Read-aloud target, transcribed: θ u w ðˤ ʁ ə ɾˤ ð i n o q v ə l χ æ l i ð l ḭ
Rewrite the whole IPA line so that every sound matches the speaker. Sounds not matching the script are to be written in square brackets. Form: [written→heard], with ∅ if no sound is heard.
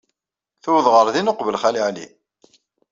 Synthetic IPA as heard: θ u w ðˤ ʁ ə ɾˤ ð i n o q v ə l χ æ l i [ð→ʕ] l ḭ